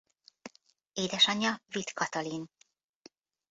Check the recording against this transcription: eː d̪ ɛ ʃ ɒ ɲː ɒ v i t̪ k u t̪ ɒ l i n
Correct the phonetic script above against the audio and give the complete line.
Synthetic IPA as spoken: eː d̪ ɛ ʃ ɒ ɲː ɒ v i t̪ k ɒ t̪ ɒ l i n